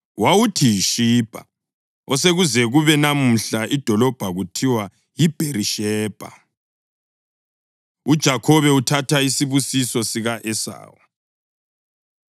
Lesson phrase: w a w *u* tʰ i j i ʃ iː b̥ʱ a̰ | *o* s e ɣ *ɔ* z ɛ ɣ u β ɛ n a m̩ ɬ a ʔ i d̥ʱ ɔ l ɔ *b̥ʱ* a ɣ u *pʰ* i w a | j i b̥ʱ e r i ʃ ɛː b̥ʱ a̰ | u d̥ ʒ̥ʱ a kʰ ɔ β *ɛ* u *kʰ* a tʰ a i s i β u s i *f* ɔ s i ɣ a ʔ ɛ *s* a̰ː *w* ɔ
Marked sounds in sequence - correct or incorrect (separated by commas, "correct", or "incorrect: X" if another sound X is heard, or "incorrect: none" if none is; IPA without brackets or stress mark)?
correct, incorrect: ɔ, incorrect: u, correct, incorrect: tʰ, correct, incorrect: tʰ, incorrect: s, correct, correct